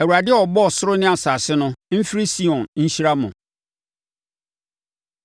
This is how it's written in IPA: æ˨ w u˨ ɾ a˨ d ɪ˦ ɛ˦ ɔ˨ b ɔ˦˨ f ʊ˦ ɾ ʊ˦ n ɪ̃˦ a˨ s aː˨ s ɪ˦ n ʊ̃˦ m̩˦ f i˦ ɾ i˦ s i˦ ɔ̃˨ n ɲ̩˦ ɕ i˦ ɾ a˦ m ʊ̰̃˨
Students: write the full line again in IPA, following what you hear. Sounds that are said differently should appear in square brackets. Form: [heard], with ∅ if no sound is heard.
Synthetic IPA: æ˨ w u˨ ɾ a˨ d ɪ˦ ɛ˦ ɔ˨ b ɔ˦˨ [s] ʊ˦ ɾ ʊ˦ n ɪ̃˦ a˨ s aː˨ s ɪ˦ n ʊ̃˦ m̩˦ f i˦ ɾ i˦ s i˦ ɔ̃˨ n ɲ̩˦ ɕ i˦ ɾ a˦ m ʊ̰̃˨